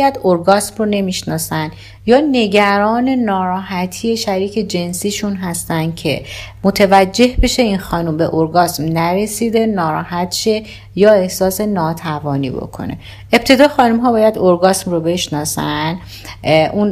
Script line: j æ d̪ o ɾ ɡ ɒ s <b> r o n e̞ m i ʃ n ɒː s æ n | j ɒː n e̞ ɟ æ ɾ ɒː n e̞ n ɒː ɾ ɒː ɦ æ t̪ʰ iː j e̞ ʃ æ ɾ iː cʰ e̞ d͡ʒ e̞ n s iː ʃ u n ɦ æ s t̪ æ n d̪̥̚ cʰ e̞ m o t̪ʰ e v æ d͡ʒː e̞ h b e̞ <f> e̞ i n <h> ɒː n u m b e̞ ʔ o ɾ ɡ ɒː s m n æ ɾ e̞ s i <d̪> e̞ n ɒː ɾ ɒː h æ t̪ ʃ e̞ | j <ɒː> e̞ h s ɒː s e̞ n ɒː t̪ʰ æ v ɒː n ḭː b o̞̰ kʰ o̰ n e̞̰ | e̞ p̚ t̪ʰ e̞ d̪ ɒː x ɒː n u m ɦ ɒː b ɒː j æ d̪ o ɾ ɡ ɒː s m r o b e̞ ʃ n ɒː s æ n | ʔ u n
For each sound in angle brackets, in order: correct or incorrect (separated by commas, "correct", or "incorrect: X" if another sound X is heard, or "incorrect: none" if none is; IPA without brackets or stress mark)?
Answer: incorrect: m, incorrect: ʃ, incorrect: x, correct, correct